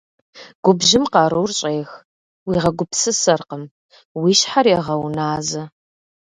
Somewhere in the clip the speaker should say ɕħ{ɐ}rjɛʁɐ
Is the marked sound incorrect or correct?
incorrect